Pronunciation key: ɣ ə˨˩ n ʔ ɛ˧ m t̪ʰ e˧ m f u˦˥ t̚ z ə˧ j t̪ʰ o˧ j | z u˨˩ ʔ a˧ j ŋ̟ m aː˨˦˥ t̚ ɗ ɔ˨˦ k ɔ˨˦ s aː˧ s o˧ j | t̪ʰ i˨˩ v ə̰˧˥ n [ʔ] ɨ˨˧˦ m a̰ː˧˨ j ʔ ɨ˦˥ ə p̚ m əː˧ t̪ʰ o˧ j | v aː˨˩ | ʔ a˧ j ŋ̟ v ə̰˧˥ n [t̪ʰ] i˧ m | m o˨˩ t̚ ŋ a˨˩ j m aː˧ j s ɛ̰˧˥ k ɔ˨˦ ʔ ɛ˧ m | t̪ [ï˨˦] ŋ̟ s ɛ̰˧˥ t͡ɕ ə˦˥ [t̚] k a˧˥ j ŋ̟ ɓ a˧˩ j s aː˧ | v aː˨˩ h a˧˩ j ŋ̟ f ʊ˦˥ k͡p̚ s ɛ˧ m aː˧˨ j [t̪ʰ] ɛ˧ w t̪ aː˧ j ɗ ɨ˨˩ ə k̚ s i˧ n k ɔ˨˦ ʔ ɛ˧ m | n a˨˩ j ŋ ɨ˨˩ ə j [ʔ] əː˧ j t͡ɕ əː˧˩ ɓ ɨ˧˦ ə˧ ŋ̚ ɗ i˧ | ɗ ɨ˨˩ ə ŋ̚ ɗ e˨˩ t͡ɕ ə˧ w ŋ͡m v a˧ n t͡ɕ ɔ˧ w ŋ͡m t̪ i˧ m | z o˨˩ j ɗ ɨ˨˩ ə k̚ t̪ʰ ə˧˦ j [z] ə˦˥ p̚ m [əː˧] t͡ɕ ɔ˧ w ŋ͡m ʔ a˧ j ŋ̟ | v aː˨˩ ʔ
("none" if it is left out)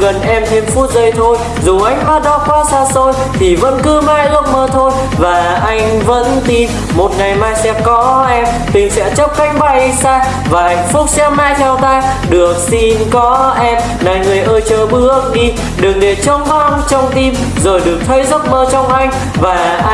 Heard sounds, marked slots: k, t̪, ï˨˩, p̚, t̪ʰ, ʔ, z, əː˧

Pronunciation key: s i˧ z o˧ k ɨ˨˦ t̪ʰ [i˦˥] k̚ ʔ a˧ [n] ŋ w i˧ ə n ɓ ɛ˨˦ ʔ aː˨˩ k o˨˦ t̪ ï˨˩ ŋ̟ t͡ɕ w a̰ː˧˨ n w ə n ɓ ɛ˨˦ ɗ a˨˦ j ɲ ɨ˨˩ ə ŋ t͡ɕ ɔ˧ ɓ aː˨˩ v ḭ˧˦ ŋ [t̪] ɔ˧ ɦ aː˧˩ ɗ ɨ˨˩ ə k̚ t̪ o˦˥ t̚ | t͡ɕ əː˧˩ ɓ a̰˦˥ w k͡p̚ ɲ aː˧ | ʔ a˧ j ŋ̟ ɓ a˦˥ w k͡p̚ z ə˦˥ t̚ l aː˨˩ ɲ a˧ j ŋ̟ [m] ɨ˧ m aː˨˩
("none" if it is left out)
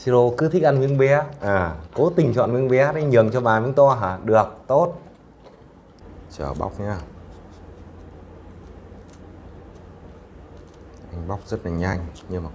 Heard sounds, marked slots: i˦˥, n, t̪, ɲ

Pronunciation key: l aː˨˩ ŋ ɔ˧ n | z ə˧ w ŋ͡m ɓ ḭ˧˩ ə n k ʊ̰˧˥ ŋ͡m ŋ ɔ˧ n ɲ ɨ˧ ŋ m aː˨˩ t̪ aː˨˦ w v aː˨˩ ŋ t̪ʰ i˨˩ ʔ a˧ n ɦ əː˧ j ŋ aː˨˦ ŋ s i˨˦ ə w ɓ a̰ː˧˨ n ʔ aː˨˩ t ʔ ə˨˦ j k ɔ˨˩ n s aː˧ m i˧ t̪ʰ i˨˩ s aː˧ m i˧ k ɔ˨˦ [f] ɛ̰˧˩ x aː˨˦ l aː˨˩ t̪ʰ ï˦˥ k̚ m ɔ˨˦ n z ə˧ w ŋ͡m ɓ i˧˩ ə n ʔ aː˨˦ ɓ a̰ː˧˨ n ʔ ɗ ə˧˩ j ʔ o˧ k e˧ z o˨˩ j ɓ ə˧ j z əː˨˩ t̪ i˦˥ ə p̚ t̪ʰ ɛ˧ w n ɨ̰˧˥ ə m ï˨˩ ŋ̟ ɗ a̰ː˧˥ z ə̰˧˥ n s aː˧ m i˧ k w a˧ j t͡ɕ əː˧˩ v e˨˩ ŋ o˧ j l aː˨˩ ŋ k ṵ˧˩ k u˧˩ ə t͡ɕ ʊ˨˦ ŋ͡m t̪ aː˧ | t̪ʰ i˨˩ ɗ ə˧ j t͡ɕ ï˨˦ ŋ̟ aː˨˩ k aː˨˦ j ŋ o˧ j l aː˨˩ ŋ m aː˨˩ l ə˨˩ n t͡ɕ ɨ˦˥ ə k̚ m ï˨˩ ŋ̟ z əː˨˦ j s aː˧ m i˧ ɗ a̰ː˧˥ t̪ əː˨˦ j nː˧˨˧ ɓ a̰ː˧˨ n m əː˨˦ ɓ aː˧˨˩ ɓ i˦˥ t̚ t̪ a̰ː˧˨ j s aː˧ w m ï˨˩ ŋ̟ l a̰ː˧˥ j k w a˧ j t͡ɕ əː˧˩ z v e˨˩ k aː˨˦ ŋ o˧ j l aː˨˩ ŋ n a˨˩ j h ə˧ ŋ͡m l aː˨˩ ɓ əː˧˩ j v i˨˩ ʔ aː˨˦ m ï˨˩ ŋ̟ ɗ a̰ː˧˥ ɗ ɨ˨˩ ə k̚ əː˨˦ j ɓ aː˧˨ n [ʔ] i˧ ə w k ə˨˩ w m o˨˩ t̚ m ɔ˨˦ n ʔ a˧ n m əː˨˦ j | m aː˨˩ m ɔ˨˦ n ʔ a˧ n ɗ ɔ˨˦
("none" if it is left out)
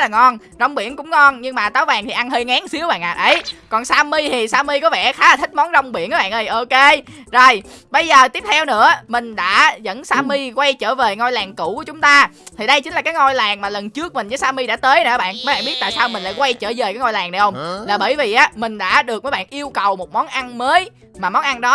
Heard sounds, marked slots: v, ʔ

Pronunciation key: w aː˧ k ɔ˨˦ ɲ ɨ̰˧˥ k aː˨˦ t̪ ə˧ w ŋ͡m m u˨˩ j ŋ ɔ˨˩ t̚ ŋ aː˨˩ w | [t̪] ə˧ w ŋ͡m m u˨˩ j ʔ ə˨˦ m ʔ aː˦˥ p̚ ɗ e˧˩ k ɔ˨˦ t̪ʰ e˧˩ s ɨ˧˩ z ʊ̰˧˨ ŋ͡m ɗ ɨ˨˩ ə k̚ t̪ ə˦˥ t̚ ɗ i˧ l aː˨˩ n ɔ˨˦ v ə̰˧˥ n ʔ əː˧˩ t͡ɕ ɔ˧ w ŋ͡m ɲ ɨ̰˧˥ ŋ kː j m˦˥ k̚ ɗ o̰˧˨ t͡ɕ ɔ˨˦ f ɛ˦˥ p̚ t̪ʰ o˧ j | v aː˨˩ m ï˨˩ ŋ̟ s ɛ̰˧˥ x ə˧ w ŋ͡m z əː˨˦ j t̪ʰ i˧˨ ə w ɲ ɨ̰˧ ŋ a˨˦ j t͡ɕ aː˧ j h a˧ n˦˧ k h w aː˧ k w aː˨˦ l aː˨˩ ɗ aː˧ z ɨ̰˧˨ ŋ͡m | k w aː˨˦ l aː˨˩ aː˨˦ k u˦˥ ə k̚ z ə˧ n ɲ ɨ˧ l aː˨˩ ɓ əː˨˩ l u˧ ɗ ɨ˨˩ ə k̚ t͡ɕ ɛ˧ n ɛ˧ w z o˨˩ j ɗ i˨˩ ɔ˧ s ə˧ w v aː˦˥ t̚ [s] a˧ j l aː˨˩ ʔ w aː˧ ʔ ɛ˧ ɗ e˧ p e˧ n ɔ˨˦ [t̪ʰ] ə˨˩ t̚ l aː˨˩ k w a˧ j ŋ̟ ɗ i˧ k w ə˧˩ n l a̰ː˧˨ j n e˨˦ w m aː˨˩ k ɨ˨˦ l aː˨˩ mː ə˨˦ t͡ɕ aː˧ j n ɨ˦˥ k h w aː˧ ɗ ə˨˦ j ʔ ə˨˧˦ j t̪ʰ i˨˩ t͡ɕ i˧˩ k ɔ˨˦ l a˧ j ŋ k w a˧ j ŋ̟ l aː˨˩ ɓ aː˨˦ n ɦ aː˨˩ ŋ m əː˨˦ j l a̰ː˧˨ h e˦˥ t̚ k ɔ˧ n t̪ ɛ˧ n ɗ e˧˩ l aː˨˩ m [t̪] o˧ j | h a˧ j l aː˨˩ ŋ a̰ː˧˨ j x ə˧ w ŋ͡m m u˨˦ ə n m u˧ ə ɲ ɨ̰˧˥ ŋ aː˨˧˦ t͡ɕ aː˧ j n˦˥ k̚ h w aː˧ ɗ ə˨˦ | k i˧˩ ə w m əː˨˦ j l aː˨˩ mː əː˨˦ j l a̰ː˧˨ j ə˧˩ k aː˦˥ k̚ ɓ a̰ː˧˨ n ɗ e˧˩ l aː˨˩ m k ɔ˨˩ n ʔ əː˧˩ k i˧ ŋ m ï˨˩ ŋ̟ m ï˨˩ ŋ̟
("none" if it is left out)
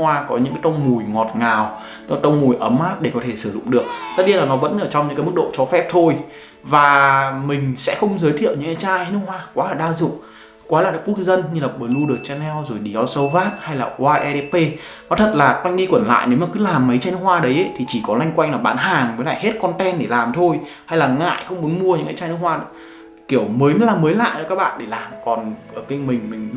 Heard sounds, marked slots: t̪, h, t̪ʰ, t̪ʰ

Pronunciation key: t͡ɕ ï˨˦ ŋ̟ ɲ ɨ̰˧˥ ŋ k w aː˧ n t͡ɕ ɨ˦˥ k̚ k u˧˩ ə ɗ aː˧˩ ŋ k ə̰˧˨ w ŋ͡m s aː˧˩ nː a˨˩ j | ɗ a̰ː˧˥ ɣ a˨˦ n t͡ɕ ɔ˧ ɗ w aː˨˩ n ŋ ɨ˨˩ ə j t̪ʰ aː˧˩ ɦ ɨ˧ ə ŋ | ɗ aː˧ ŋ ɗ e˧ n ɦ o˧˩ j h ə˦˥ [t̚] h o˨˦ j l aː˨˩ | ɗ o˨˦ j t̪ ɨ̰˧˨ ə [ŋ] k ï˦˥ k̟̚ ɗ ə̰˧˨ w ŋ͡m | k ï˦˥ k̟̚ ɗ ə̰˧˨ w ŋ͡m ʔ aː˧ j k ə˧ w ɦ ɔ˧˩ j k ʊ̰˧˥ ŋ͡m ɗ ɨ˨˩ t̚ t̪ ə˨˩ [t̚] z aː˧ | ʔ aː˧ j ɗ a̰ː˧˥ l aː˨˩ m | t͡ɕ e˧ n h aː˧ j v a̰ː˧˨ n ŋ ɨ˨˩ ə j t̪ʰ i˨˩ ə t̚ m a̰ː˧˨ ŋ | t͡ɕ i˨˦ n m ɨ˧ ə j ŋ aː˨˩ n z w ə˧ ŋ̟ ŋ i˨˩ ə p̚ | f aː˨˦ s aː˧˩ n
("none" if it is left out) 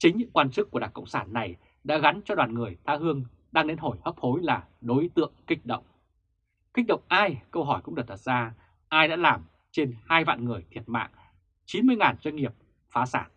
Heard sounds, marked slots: p̚, ŋ, t̚

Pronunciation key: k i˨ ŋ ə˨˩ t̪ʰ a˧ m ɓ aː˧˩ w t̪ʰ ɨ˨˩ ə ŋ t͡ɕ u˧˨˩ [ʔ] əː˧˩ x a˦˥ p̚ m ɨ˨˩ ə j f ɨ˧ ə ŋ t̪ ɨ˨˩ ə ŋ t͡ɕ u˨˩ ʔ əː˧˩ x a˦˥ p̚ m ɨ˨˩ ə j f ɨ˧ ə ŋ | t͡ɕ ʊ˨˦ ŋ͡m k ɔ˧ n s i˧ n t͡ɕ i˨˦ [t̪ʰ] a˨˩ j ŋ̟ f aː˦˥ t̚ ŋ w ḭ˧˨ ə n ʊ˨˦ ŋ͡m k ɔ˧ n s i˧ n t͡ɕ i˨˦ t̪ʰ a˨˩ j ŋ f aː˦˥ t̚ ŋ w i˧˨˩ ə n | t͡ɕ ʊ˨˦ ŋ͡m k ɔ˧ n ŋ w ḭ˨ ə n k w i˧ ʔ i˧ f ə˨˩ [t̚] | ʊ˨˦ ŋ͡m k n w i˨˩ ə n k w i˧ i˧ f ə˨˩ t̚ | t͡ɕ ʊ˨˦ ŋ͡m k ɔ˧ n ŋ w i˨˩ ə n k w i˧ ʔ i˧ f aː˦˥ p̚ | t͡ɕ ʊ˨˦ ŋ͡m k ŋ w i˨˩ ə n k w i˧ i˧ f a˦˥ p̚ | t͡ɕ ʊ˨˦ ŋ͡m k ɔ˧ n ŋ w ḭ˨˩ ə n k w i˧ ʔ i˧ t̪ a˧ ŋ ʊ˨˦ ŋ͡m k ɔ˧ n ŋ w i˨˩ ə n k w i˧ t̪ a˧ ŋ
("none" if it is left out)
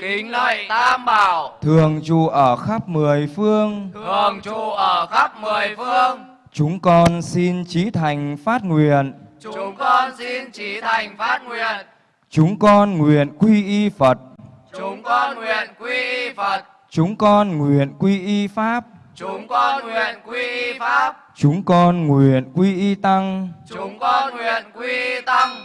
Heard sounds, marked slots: ʔ, t̪ʰ, t̚

